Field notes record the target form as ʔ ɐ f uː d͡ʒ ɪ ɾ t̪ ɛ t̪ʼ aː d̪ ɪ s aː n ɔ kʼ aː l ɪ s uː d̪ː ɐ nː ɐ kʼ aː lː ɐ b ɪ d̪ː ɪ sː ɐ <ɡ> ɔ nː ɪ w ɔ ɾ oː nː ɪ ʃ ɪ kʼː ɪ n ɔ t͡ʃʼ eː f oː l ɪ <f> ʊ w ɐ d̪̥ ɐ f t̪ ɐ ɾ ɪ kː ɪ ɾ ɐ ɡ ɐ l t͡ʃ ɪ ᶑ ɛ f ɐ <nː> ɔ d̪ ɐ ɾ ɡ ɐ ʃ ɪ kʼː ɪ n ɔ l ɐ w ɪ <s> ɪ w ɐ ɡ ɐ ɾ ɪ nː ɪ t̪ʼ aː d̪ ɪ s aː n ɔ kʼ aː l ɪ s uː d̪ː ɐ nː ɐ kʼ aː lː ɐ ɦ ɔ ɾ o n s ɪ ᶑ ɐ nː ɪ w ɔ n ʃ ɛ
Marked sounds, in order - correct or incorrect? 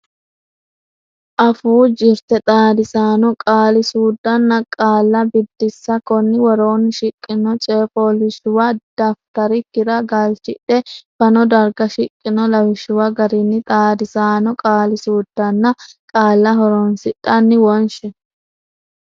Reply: incorrect, incorrect, incorrect, incorrect

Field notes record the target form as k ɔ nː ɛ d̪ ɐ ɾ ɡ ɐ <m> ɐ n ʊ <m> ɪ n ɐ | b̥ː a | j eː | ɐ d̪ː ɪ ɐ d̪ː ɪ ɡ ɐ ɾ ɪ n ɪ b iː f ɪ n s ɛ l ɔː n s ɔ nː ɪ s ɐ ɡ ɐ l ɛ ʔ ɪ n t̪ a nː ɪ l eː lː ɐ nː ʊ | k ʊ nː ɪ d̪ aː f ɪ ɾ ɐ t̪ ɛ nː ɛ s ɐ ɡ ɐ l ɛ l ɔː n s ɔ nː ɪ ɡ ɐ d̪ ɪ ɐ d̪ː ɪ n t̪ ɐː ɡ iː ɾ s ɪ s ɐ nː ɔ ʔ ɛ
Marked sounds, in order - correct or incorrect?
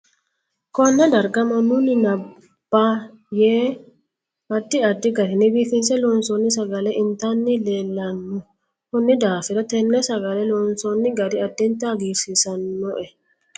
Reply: correct, incorrect

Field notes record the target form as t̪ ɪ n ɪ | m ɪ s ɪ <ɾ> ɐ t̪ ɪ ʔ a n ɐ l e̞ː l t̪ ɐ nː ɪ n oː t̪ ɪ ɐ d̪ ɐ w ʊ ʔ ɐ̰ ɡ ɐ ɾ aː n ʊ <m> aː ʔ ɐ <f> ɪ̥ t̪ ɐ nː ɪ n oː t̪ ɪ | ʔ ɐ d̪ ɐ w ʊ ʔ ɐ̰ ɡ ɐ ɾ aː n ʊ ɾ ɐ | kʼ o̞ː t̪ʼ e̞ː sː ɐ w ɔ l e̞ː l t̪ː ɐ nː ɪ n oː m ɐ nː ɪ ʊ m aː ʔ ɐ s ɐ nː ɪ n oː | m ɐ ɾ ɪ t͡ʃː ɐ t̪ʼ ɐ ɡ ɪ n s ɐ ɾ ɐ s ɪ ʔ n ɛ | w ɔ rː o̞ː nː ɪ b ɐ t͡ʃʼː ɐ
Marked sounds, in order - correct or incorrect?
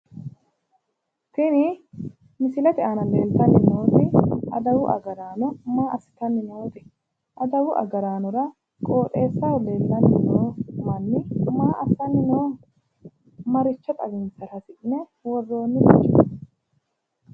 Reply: incorrect, correct, incorrect

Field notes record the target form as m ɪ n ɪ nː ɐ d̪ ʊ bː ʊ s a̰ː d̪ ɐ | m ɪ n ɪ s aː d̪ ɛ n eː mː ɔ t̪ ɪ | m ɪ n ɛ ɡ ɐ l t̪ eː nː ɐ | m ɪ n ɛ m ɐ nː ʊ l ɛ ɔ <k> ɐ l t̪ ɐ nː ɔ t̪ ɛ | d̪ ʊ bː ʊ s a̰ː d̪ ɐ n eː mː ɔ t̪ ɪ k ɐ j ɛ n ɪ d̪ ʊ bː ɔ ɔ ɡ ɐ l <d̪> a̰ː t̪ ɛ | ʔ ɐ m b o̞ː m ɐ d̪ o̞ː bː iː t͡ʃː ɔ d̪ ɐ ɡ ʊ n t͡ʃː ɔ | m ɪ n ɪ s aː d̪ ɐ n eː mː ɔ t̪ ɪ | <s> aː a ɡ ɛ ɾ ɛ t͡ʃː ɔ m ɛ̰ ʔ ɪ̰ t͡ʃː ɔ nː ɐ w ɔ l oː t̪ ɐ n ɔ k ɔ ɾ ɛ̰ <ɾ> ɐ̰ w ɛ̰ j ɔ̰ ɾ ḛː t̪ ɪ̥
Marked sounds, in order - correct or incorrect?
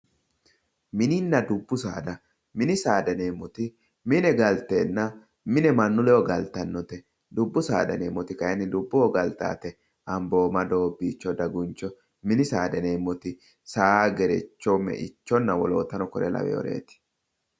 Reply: incorrect, incorrect, correct, incorrect

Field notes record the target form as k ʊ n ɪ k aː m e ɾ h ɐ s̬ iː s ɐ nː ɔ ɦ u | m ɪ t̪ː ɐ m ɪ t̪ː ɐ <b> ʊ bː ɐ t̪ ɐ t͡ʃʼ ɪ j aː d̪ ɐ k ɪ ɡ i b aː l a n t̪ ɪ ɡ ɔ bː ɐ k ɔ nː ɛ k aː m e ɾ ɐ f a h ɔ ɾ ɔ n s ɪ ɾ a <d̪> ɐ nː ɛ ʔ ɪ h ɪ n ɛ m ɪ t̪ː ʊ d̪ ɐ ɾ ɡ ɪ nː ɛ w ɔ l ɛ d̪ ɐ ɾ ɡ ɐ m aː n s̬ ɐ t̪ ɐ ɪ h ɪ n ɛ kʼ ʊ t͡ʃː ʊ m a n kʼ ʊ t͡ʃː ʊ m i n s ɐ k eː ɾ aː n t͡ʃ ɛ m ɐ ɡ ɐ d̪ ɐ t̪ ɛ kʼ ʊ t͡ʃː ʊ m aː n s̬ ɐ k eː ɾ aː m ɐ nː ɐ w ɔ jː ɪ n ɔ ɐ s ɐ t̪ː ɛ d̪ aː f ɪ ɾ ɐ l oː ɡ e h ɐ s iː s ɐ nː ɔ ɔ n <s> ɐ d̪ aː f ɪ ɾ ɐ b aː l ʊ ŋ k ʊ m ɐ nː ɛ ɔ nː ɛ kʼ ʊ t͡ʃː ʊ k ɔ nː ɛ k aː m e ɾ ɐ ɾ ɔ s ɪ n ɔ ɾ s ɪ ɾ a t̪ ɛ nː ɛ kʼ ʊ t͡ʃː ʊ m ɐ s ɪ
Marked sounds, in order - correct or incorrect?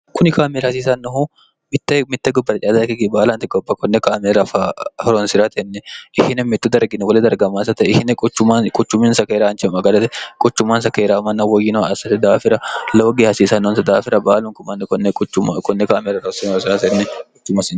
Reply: incorrect, incorrect, correct

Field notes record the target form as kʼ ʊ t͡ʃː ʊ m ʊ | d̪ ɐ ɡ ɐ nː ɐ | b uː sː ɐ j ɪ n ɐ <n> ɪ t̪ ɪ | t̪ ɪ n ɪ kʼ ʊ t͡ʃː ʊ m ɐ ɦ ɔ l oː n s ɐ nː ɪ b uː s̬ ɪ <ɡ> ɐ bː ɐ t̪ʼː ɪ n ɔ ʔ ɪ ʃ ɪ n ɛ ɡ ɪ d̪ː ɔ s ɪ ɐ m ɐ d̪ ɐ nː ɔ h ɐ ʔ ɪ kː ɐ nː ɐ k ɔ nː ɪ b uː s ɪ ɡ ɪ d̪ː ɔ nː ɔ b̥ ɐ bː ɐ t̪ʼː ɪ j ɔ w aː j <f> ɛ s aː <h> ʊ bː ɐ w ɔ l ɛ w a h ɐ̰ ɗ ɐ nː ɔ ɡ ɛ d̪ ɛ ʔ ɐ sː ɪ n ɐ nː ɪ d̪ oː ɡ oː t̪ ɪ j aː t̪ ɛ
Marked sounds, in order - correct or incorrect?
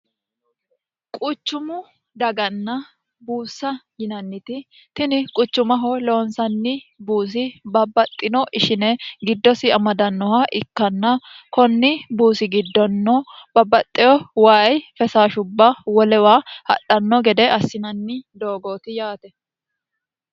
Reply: incorrect, incorrect, correct, incorrect

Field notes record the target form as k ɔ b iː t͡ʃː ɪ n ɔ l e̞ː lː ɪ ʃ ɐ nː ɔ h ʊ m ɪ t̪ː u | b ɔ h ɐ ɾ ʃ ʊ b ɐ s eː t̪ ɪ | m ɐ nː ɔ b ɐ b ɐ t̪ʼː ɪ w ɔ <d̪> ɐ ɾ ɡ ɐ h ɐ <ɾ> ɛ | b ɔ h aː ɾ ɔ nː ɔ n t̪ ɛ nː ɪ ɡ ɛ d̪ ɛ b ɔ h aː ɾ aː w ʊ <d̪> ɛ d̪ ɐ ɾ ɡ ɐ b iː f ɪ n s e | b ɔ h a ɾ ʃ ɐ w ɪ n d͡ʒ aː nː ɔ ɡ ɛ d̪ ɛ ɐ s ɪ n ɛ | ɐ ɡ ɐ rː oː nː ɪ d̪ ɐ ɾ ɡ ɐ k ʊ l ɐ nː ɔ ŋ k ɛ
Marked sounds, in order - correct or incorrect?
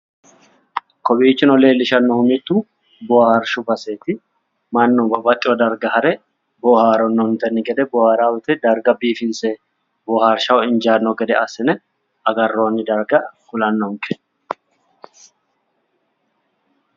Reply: correct, correct, incorrect

